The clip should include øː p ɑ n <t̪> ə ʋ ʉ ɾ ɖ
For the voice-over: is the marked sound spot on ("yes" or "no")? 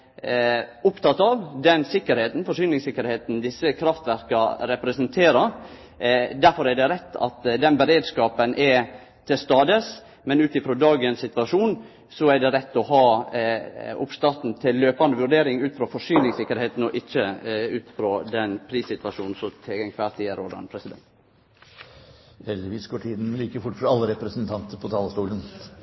no